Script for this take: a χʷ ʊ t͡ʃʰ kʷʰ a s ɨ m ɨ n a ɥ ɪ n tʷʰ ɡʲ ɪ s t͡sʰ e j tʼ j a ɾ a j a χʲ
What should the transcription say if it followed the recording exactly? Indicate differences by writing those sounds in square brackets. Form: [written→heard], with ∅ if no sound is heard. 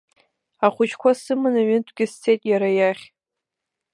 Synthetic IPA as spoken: a χʷ ʊ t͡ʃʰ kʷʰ a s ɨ m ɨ n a ɥ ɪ n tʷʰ ɡʲ ɪ s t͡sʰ e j tʼ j a ɾ a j a χʲ